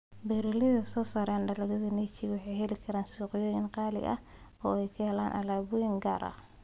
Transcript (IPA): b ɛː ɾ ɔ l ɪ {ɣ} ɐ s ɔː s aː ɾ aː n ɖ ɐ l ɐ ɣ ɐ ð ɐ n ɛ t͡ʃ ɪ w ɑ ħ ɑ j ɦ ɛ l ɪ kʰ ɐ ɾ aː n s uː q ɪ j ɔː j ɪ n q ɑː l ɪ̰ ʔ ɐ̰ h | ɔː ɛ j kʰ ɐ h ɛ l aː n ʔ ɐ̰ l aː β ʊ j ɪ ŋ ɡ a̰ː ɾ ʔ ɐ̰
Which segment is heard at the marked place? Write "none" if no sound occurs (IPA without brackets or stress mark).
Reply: ð